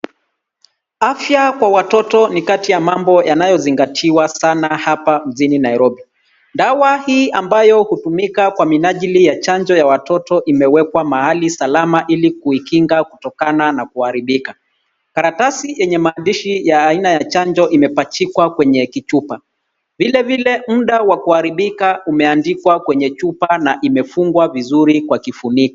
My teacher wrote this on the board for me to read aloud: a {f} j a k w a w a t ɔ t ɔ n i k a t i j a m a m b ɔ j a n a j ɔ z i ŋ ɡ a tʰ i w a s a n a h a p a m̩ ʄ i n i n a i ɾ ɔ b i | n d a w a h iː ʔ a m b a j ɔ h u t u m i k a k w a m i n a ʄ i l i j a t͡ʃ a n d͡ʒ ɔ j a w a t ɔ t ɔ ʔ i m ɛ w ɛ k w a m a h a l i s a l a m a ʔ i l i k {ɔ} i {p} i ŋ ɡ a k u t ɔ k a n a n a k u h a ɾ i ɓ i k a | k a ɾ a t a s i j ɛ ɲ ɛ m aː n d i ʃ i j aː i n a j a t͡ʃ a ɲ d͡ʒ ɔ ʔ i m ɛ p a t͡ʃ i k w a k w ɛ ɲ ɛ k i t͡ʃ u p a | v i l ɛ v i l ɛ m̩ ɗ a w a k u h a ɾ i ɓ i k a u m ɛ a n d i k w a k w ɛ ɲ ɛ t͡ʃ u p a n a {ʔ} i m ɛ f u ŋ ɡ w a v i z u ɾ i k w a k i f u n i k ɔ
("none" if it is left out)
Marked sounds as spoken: f, u, k, ʔ

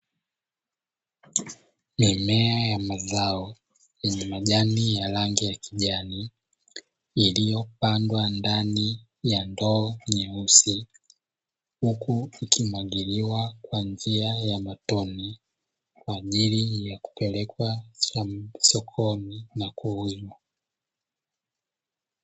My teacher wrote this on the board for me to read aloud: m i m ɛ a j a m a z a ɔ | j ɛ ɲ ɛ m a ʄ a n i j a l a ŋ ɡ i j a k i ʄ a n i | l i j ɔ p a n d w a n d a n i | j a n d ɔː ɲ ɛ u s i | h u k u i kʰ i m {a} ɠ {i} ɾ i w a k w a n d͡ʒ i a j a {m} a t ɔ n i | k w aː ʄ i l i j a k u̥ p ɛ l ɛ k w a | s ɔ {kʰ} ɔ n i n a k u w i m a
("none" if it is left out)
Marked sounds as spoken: a, i, m, kʰ

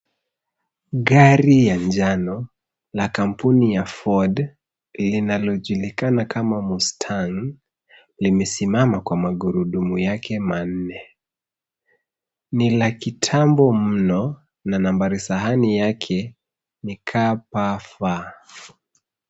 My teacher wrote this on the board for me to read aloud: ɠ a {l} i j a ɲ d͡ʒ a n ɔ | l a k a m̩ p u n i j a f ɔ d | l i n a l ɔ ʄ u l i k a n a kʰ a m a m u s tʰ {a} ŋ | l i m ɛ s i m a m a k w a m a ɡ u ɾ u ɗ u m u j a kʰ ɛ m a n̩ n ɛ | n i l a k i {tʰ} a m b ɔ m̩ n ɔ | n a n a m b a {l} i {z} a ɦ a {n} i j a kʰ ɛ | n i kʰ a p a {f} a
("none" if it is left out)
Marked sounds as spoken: ɾ, a, tʰ, ɾ, s, n, f

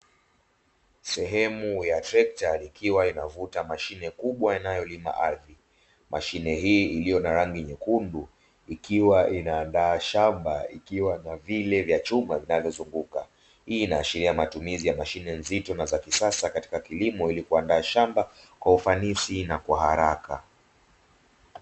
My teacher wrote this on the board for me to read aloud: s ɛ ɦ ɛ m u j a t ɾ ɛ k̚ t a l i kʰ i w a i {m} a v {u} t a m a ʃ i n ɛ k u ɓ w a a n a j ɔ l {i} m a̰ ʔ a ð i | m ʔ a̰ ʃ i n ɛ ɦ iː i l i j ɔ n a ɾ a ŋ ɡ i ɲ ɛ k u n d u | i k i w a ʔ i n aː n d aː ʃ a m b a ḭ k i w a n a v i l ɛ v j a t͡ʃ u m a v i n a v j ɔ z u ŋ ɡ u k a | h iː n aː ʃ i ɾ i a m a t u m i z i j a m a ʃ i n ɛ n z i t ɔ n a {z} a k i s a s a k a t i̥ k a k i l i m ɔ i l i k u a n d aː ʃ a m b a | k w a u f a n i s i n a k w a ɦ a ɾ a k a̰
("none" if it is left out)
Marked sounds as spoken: n, u, i, z

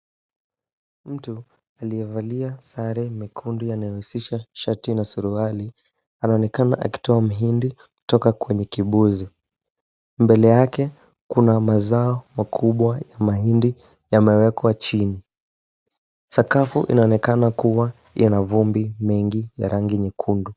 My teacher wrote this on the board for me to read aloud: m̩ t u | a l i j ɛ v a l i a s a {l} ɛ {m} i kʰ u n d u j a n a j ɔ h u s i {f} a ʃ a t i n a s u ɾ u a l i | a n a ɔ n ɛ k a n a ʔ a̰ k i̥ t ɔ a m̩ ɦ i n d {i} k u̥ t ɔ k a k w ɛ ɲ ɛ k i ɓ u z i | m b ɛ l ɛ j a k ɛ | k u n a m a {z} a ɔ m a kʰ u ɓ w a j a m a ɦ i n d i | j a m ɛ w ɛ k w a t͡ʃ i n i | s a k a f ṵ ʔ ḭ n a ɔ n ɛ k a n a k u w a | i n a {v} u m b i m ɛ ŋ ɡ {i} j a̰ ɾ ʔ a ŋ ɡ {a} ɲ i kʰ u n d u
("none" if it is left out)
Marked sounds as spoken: ɾ, m, ʃ, i, z, v, i, i

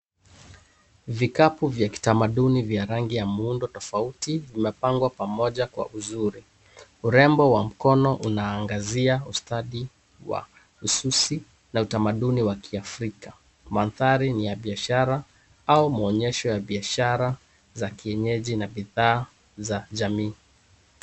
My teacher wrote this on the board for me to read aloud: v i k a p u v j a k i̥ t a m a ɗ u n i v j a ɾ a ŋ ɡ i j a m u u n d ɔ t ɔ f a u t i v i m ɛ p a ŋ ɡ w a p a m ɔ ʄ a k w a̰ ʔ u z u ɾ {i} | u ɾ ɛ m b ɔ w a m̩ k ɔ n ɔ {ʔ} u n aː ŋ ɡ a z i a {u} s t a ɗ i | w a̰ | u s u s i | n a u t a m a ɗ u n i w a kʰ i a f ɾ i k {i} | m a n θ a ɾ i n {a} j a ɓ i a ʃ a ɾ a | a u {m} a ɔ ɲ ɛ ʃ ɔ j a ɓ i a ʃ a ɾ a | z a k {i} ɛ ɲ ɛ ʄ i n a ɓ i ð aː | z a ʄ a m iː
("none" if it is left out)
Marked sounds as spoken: i, ʔ, u, a, i, m, i

